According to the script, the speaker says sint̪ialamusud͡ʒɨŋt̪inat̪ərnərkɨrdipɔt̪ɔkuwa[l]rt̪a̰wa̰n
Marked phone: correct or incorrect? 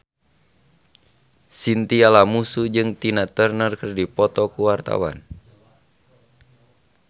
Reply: incorrect